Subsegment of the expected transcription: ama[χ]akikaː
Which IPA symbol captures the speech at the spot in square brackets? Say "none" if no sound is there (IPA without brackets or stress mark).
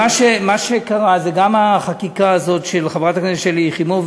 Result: χ